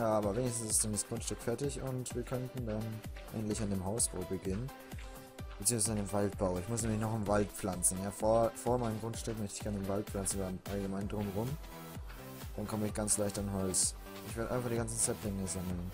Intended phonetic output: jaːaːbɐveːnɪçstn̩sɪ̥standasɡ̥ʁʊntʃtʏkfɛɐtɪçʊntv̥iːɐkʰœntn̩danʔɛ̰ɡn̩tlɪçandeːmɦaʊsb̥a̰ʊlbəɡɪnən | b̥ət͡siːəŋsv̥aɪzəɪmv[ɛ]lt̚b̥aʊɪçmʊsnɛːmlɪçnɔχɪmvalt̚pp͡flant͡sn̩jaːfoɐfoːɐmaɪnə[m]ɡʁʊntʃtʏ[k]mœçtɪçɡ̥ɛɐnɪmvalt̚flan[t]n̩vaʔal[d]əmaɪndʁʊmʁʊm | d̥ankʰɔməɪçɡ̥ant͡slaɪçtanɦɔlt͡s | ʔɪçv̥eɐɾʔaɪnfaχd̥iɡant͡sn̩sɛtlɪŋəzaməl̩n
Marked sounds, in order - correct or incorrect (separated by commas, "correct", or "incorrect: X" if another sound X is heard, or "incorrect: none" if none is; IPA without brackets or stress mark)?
incorrect: a, correct, correct, incorrect: t͡s, incorrect: ɡ